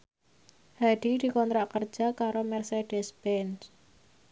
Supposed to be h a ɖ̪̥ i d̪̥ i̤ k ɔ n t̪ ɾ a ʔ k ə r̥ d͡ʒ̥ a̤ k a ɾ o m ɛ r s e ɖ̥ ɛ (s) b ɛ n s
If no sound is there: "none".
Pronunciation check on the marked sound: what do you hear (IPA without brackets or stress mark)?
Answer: s